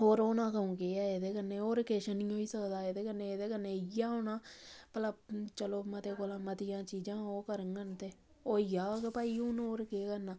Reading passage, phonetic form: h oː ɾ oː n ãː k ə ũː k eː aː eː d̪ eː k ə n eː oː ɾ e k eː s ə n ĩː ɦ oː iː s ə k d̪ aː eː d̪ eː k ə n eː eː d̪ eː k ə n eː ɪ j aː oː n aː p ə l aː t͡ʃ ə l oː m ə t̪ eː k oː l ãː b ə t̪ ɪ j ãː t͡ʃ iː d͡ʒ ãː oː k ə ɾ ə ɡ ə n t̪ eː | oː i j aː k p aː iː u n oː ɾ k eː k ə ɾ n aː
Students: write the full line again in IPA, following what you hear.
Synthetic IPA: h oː ɾ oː n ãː k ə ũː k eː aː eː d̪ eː k ə n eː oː ɾ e k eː ʃ ə n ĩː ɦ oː iː s ə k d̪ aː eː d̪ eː k ə n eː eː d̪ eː k ə n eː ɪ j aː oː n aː p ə l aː t͡ʃ ə l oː m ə t̪ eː k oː l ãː m ə t̪ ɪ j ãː t͡ʃ iː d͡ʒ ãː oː k ə ɾ ə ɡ ə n t̪ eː | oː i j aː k p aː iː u n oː ɾ k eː k ə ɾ n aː